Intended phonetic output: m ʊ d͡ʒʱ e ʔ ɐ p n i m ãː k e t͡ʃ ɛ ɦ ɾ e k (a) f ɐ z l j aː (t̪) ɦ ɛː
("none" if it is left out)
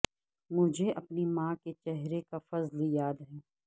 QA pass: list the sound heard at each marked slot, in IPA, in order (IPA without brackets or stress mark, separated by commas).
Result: a, d̪